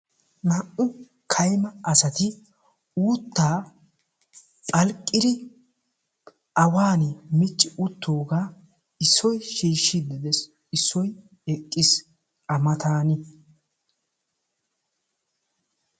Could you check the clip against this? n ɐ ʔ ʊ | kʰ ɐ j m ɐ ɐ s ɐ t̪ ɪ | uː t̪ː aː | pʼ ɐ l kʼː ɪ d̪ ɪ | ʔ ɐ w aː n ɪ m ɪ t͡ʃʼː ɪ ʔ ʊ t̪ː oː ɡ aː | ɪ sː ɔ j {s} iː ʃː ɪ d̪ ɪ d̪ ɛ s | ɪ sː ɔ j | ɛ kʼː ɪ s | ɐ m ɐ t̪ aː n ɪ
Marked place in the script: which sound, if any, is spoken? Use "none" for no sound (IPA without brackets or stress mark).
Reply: ʃ